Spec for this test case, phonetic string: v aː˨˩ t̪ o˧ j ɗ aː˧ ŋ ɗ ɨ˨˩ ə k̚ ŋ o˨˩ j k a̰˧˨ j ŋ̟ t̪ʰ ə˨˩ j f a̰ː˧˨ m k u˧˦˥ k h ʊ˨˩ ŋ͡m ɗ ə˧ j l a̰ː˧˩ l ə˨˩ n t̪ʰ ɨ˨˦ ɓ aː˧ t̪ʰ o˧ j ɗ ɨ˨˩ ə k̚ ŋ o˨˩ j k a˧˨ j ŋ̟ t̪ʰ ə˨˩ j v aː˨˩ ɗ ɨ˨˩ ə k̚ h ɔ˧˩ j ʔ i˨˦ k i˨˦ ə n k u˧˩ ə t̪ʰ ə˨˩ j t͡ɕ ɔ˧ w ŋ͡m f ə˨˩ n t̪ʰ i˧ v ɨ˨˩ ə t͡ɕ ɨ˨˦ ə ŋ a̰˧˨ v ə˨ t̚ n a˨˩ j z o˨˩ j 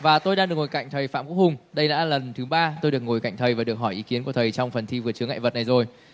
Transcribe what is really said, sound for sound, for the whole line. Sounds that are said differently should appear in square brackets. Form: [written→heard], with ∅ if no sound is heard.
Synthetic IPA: v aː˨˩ t̪ o˧ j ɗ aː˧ ŋ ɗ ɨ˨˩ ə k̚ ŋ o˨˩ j k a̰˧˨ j ŋ̟ t̪ʰ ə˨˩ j f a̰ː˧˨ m k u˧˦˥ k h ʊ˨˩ ŋ͡m ɗ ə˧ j l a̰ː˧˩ l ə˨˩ n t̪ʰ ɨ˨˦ ɓ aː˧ [t̪ʰ→t̪] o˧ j ɗ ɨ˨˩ ə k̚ ŋ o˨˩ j k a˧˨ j ŋ̟ t̪ʰ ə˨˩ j v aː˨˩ ɗ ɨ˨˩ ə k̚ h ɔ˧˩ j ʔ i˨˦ k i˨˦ ə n k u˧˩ ə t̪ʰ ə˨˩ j t͡ɕ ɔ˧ w ŋ͡m f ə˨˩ n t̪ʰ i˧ v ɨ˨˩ ə t͡ɕ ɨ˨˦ ə ŋ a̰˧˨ v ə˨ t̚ n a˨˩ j z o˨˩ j

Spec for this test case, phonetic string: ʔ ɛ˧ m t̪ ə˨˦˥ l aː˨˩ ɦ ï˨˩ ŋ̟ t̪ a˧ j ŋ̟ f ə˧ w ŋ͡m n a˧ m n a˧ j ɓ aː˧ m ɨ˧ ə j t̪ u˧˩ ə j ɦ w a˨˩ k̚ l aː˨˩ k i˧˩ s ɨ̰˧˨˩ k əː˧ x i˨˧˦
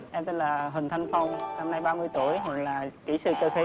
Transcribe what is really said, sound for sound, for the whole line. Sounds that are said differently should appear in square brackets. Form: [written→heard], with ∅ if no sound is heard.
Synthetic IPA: ʔ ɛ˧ m t̪ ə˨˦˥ l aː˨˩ ɦ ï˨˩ ŋ̟ [t̪→t̪ʰ] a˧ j ŋ̟ f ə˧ w ŋ͡m n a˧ m n a˧ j ɓ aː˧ m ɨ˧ ə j t̪ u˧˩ ə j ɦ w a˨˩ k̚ l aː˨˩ k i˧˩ s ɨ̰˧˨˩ k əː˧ x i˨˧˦

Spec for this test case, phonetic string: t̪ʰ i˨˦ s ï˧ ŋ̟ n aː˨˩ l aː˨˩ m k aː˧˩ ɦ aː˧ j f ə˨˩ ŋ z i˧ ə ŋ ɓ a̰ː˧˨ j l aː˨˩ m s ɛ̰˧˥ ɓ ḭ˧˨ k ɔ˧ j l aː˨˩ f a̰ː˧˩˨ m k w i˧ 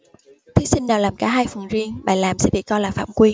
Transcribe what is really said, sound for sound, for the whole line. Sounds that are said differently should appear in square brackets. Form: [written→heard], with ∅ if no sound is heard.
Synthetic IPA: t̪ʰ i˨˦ s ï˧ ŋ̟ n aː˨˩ l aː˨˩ m k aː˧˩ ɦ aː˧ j f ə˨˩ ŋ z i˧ ə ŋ ɓ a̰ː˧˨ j l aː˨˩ m s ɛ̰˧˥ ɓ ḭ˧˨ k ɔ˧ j l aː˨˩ f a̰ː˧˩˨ m k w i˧

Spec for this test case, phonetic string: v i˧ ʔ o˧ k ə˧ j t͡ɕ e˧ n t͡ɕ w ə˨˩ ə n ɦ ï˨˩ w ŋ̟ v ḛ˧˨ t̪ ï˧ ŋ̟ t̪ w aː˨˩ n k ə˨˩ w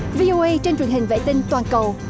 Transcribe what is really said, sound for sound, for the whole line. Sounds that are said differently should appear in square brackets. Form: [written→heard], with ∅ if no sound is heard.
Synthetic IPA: v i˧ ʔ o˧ [k→ʔ] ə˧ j t͡ɕ e˧ n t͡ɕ w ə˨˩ ə n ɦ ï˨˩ [w→∅] ŋ̟ v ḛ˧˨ t̪ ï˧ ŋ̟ t̪ w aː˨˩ n k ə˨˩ w

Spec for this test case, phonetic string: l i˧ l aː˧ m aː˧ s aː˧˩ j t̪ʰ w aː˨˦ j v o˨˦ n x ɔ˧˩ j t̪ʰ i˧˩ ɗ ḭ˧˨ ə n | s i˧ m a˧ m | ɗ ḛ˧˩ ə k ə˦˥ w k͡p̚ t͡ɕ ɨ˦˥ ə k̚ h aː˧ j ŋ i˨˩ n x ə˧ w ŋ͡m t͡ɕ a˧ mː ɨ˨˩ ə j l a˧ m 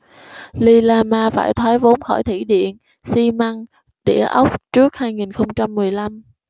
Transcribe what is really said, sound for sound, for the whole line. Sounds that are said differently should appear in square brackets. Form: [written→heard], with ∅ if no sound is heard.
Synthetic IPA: l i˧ l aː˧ m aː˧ [s→f] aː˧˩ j t̪ʰ w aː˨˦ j v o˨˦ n x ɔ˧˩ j t̪ʰ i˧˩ ɗ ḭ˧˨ ə n | s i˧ m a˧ [m→ŋ] | ɗ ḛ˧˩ ə [k→ʔ] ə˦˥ w k͡p̚ t͡ɕ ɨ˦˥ ə k̚ h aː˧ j ŋ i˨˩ n x ə˧ w ŋ͡m t͡ɕ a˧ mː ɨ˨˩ ə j l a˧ m

